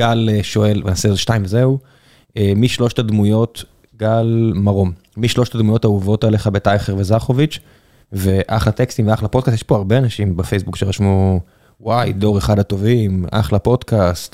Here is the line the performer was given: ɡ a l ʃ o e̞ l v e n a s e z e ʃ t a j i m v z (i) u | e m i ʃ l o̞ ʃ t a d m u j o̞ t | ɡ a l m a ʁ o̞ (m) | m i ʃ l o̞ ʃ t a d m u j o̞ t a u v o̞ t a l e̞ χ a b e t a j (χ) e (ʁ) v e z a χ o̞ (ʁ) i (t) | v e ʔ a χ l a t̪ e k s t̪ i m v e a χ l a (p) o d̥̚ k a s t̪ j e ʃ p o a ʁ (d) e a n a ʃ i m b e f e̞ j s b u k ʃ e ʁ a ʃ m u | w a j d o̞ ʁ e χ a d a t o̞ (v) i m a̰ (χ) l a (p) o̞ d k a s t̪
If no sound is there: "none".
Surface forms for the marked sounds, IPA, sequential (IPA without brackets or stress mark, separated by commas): e, m, χ, ʁ, v, t͡ʃ, p, b, v, χ, p